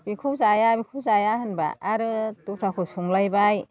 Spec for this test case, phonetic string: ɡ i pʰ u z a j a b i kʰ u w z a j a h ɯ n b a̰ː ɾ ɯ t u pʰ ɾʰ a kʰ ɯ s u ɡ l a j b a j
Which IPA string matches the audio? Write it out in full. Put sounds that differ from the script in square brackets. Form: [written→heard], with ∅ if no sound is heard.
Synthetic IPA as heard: [ɡ→b] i [pʰ→kʰ] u z a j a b i kʰ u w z a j a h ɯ n b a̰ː ɾ ɯ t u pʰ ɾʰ a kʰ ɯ s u [ɡ→ŋ] l a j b a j

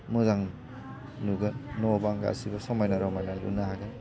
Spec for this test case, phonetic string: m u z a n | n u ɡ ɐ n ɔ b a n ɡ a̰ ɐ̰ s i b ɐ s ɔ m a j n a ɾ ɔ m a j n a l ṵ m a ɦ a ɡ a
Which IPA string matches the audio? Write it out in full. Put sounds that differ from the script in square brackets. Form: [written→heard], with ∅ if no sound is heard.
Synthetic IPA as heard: m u z a [n→ŋ] | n u ɡ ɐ n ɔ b a [n→ŋ] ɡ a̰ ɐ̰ s i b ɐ s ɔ m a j n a ɾ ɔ m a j n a l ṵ [m→n] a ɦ a ɡ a

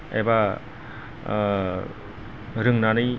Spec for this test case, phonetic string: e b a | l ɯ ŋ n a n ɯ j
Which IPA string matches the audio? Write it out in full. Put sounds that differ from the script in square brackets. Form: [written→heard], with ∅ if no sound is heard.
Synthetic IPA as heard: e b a | [l→ɾ] ɯ ŋ n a n ɯ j

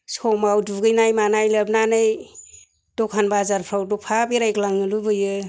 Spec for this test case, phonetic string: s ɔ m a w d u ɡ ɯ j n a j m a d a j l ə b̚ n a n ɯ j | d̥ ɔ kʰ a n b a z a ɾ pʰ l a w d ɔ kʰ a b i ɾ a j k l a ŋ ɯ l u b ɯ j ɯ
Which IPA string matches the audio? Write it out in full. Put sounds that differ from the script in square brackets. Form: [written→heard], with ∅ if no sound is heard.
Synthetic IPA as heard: s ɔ m a w d u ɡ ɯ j n a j m a [d→n] a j l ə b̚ n a n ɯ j | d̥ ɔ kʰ a n b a z a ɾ pʰ [l→ɾ] a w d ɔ [kʰ→pʰ] a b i ɾ a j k l a ŋ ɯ l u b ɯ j ɯ

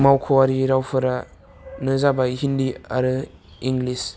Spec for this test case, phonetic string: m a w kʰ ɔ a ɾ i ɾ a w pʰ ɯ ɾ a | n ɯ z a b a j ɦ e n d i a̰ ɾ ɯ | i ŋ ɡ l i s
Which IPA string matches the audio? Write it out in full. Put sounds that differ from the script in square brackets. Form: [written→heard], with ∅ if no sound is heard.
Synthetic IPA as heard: m a w kʰ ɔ a ɾ i ɾ a w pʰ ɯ ɾ a | n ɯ z a b a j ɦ [e→i] n d i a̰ ɾ ɯ | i ŋ ɡ l i s

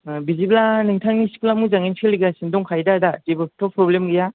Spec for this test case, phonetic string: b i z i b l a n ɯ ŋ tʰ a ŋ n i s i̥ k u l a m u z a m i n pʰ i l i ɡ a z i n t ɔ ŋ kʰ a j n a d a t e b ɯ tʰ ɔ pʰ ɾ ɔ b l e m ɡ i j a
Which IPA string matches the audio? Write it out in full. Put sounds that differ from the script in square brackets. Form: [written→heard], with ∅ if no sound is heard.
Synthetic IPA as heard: b i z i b l a n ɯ ŋ tʰ a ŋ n i s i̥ k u l a m u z a [m→ŋ] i n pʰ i l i ɡ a [z→s] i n [t→d] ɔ ŋ kʰ a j [n→d] a d a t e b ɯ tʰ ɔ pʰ ɾ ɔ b l e m ɡ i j a

